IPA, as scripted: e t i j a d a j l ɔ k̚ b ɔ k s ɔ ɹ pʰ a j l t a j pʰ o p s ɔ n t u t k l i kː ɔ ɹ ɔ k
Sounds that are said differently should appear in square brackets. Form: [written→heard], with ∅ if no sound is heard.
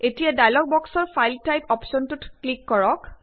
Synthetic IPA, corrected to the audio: e t i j a d a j l ɔ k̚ b ɔ k s ɔ ɹ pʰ a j l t a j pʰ [o→ɔ] p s ɔ n t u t k l i kː ɔ ɹ ɔ k